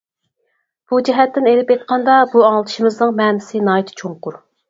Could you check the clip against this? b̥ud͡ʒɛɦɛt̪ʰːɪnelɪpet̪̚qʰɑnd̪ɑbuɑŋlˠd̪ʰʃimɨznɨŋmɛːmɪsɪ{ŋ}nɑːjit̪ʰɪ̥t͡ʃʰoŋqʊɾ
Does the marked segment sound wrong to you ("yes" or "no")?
yes